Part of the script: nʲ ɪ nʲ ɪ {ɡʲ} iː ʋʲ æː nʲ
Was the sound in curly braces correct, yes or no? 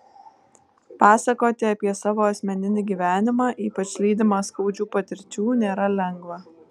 yes